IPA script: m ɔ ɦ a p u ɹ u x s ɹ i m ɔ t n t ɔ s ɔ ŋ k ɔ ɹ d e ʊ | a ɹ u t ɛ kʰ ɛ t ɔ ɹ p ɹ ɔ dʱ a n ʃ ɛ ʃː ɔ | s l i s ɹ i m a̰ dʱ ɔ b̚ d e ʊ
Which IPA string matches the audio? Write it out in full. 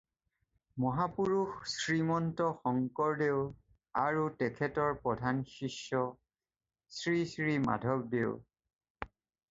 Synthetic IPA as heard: m ɔ ɦ a p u ɹ u x s ɹ i m ɔ n t ɔ x ɔ ŋ k ɔ ɹ d e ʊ | a ɹ u t ɛ kʰ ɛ t ɔ ɹ p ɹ ɔ dʱ a n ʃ i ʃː ɔ | s ɹ i s ɹ i m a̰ dʱ ɔ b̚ d e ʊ